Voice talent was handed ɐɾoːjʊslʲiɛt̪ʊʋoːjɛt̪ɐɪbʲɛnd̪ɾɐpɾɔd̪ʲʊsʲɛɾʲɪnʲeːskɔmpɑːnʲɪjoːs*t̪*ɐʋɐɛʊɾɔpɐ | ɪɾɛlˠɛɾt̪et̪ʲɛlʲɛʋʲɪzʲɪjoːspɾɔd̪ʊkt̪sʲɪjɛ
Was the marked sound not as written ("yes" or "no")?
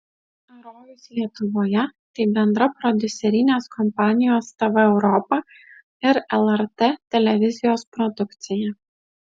no